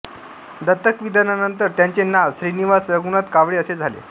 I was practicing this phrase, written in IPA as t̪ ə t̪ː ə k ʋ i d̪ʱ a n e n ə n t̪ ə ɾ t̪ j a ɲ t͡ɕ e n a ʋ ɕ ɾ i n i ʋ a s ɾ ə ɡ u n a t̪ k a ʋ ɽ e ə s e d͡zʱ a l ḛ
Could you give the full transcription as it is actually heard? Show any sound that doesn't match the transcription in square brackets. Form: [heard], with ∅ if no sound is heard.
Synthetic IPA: [d̪] ə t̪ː ə k ʋ i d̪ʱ a n [a] n ə n t̪ ə ɾ t̪ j a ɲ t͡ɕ e n a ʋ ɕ ɾ i n i ʋ a s ɾ ə ɡ u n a t̪ k a ʋ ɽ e ə s e d͡zʱ a l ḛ